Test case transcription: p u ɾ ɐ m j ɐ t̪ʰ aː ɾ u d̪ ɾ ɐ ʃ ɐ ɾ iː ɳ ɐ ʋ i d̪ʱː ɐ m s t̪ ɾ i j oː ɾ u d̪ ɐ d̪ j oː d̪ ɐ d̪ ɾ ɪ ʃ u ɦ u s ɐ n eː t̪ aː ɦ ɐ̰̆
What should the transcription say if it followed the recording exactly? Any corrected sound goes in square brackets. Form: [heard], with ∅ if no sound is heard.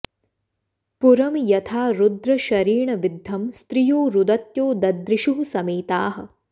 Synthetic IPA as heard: p u ɾ ɐ m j ɐ t̪ʰ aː ɾ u d̪ ɾ ɐ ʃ ɐ ɾ iː ɳ ɐ ʋ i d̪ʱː ɐ m s t̪ ɾ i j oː ɾ u d̪ ɐ [t̪] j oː d̪ ɐ d̪ ɾ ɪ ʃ u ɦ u s ɐ [m] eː t̪ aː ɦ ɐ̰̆